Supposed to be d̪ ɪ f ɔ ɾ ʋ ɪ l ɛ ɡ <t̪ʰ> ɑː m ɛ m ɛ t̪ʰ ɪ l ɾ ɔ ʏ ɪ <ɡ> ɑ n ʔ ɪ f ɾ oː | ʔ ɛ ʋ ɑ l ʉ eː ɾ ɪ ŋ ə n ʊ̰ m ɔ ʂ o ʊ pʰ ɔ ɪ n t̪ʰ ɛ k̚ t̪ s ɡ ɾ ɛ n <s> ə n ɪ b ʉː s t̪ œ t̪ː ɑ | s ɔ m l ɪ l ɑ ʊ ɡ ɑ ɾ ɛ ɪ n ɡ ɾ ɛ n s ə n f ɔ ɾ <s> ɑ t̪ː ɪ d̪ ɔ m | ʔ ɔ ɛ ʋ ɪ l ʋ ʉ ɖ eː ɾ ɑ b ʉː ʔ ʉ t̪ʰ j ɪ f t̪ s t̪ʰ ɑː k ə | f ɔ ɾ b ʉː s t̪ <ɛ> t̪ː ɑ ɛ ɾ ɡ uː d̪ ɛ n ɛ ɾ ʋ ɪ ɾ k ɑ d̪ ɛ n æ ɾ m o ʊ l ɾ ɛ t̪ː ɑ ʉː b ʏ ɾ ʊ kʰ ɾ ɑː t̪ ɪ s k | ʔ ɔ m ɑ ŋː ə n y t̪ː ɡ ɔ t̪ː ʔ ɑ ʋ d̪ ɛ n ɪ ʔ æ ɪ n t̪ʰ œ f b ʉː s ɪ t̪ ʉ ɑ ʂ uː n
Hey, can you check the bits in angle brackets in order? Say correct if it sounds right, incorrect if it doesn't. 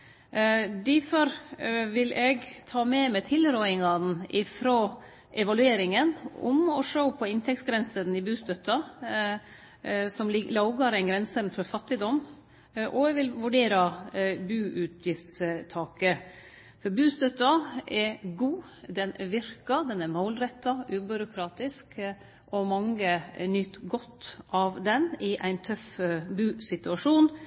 correct, incorrect: ŋ, correct, incorrect: f, incorrect: œ

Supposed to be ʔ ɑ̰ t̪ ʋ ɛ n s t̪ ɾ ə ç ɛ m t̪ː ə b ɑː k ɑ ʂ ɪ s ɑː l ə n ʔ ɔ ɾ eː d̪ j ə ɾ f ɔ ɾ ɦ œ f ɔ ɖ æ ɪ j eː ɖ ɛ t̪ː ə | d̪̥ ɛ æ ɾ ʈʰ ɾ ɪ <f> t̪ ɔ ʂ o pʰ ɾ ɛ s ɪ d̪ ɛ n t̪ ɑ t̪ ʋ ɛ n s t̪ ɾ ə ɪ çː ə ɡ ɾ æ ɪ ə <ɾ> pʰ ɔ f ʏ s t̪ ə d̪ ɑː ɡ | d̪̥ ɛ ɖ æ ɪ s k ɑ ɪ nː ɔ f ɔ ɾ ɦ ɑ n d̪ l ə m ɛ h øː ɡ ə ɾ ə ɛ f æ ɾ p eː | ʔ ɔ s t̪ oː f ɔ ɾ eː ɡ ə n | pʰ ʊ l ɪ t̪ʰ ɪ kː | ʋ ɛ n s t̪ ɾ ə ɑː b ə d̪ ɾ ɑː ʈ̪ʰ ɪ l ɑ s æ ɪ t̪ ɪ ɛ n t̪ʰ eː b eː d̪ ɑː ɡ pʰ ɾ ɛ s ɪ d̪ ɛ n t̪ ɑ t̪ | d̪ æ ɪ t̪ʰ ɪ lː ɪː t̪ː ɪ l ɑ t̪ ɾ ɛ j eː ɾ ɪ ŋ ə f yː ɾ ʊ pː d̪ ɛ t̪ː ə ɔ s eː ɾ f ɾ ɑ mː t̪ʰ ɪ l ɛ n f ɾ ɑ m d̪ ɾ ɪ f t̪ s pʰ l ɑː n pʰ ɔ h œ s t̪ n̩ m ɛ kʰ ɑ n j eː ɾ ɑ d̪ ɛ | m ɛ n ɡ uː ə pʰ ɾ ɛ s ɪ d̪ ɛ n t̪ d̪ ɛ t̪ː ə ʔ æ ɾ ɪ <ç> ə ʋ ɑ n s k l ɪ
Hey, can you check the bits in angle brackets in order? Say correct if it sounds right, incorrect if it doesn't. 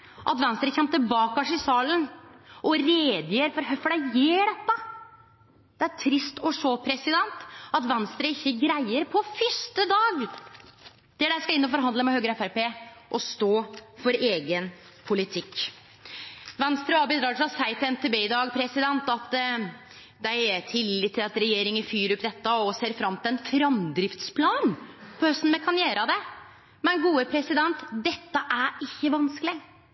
incorrect: s, correct, incorrect: çː

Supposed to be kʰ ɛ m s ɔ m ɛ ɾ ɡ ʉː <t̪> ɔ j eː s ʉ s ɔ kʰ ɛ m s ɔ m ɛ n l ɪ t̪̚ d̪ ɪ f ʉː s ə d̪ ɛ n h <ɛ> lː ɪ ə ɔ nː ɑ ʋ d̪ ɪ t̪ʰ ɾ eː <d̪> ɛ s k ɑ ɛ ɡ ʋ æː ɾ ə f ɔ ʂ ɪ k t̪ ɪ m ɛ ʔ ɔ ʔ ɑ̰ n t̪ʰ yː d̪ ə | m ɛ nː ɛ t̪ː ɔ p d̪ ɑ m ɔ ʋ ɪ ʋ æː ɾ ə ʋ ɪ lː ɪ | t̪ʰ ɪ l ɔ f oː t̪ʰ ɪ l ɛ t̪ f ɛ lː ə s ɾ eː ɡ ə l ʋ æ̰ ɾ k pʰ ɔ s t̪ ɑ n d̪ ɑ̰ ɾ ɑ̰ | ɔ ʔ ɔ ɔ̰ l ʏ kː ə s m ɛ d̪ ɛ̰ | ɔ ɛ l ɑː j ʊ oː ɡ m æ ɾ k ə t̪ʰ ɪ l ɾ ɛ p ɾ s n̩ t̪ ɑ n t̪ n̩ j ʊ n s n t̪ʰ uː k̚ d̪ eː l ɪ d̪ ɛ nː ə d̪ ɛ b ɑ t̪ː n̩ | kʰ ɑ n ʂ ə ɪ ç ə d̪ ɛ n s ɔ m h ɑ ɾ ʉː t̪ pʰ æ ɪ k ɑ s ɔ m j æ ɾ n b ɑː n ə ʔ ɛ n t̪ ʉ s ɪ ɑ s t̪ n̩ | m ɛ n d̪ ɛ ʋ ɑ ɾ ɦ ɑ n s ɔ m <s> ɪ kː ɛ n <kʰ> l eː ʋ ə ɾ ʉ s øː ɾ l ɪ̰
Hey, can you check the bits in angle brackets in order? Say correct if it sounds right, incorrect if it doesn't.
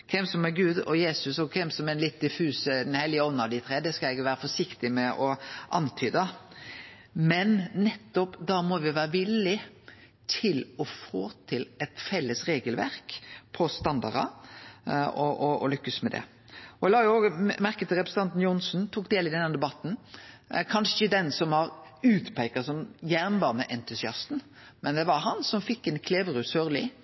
incorrect: d̪, correct, correct, incorrect: f, correct

